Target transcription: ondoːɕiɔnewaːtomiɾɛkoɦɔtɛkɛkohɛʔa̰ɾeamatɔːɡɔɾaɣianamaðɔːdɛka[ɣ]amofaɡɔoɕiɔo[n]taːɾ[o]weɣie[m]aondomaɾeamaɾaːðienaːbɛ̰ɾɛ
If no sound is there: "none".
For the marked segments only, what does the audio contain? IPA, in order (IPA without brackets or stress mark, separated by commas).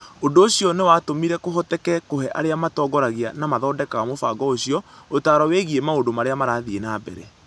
ɣ, none, ɔ, m